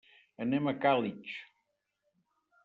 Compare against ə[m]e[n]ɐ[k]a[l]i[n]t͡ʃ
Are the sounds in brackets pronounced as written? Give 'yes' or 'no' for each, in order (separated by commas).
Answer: no, no, yes, yes, no